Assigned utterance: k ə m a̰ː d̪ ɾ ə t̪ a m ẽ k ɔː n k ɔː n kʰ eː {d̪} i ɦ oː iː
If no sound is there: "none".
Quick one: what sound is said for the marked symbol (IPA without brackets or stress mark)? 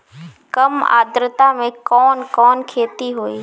t̪